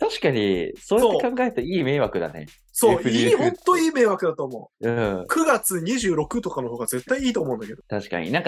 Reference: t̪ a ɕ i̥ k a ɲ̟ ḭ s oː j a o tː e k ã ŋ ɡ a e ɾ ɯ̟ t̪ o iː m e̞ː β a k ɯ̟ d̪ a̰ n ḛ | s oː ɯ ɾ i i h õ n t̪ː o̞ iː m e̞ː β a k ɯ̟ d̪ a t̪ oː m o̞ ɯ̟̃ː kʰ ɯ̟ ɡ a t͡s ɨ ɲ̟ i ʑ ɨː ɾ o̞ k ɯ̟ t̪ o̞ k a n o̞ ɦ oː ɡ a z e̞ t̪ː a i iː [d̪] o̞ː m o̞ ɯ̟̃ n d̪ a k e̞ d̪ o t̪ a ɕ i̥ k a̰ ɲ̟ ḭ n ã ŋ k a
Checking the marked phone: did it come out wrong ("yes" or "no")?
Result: yes